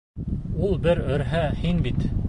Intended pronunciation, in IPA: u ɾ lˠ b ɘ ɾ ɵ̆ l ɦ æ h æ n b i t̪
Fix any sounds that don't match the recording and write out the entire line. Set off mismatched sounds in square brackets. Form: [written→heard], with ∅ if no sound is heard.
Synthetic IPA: u [ɾ→∅] lˠ b ɘ ɾ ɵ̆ [l→ɾ] ɦ æ h [æ→i] n b i t̪